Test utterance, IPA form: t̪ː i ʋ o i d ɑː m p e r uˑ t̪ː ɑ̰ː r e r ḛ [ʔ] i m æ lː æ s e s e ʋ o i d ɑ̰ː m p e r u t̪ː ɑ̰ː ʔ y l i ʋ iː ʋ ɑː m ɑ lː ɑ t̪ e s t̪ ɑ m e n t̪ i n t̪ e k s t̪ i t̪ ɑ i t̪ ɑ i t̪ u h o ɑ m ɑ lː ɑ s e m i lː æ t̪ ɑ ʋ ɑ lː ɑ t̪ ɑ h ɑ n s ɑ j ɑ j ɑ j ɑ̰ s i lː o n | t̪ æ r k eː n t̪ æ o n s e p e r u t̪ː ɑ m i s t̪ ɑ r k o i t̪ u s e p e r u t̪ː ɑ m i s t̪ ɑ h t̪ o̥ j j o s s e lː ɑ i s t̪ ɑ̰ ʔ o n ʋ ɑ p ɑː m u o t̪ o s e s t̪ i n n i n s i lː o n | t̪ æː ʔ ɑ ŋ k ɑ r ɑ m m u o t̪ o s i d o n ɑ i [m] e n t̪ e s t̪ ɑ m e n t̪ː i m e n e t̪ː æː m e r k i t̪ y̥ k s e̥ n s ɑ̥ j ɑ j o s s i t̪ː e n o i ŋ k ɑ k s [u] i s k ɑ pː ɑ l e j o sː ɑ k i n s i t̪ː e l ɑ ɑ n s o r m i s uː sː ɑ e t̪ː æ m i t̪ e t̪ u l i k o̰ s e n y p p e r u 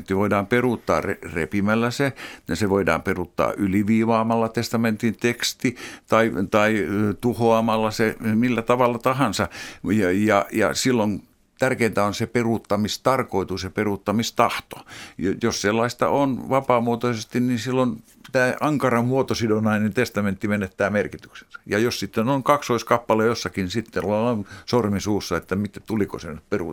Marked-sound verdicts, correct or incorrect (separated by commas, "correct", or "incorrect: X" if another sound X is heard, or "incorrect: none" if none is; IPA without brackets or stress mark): incorrect: p, incorrect: n, incorrect: o